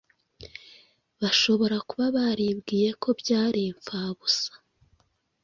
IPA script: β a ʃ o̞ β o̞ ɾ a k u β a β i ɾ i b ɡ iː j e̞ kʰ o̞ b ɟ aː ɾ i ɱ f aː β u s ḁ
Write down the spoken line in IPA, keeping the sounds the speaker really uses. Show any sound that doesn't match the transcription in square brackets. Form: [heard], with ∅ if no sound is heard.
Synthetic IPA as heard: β a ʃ o̞ β o̞ ɾ a k u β a β [a] ɾ i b ɡ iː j e̞ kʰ o̞ b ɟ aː ɾ i ɱ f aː β u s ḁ